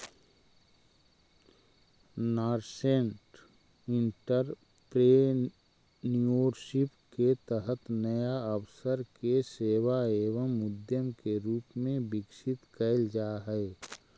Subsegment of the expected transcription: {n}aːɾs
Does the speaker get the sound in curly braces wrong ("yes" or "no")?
no